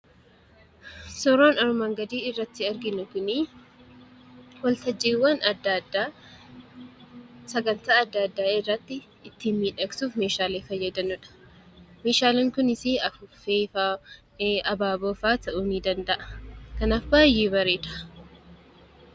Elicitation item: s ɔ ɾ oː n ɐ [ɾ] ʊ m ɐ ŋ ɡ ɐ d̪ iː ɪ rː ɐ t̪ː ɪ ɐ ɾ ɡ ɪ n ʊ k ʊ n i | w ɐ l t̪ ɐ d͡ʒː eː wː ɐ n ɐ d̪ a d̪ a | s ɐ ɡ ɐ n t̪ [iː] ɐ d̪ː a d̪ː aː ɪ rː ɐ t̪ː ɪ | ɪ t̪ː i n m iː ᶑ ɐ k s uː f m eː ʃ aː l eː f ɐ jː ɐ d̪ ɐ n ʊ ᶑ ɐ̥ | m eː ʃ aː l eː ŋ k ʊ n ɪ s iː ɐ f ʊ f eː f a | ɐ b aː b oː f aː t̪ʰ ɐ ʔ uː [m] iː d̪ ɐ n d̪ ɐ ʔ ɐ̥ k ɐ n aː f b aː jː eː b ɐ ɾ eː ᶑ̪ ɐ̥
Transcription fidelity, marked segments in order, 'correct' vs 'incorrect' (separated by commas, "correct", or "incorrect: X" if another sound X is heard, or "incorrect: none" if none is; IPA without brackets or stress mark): correct, incorrect: aː, incorrect: n